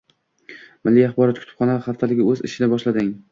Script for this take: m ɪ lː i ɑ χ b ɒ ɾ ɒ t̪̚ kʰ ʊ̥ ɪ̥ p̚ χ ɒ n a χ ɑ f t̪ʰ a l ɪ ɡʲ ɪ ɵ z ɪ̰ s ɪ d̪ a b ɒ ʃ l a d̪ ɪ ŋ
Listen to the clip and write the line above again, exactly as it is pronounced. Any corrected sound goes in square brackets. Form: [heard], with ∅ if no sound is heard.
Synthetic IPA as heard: m ɪ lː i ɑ χ b ɒ ɾ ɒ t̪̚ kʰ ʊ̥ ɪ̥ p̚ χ ɒ n a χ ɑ f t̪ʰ a l ɪ ɡʲ ɪ ɵ z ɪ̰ [ʃ] ɪ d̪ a b ɒ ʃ l a d̪ ɪ ŋ